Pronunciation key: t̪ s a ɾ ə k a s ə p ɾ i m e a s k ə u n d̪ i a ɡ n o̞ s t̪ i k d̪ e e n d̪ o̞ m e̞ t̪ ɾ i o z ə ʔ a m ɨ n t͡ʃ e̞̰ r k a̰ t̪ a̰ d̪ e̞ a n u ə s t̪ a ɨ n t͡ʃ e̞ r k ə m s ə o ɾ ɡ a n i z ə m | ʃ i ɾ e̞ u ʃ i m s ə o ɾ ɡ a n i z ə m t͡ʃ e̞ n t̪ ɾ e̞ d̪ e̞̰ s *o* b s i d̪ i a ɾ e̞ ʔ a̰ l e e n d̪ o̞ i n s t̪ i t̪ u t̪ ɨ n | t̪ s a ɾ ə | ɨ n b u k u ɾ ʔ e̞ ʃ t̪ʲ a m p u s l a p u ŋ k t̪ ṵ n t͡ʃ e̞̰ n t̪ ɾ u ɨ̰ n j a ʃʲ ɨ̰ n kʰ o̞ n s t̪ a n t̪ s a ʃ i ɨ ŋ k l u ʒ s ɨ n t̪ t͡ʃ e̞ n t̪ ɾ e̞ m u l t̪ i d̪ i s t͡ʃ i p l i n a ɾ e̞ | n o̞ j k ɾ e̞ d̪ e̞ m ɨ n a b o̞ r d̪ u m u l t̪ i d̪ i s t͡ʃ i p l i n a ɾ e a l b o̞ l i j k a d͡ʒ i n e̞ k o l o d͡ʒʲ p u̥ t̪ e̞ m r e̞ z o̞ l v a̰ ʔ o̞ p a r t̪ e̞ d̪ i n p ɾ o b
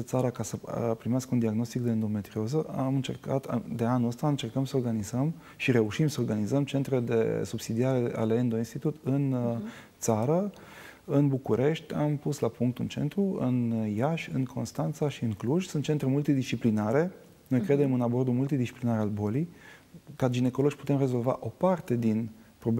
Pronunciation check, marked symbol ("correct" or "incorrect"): incorrect